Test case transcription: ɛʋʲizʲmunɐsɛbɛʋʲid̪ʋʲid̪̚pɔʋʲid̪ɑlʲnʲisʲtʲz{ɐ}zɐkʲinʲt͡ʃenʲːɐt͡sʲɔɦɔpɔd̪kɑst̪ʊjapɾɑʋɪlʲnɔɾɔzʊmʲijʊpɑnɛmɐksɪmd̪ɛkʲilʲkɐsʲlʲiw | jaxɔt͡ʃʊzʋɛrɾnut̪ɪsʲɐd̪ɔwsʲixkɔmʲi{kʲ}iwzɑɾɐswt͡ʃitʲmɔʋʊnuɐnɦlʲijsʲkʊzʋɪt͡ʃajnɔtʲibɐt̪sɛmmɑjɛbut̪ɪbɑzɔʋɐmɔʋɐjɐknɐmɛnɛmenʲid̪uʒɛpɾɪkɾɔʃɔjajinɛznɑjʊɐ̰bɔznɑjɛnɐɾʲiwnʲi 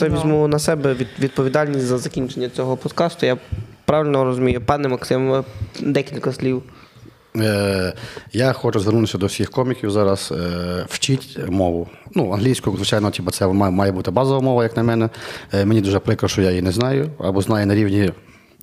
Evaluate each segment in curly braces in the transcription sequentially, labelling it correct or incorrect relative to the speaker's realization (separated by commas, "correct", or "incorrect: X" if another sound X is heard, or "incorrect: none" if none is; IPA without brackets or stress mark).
correct, correct